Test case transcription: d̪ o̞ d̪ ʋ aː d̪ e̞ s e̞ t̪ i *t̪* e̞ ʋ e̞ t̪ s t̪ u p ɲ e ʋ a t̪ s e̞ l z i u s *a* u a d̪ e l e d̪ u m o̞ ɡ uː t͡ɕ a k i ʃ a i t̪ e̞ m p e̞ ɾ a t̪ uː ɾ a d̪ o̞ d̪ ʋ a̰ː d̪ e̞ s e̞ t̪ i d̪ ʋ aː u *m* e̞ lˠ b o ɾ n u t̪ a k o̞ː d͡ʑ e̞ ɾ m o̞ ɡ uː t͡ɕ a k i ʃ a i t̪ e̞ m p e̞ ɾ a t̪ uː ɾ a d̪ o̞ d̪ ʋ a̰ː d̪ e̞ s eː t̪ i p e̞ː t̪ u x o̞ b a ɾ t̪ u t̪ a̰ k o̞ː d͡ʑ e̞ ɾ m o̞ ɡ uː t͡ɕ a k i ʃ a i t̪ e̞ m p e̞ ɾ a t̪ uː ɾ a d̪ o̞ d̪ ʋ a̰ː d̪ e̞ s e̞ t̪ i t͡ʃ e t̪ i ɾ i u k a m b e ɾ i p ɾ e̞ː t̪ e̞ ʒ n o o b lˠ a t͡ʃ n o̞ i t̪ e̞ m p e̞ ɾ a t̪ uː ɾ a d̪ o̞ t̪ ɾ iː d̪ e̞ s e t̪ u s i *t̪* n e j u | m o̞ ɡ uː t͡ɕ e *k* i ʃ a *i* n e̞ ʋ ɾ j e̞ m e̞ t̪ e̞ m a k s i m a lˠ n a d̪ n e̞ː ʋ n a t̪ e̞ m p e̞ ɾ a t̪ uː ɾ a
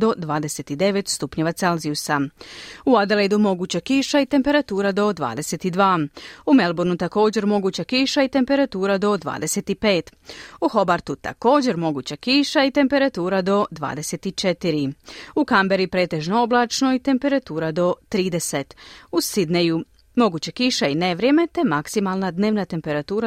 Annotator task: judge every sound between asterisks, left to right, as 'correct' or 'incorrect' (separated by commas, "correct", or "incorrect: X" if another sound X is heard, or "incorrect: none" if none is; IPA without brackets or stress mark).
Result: incorrect: d̪, correct, correct, incorrect: d̪, correct, correct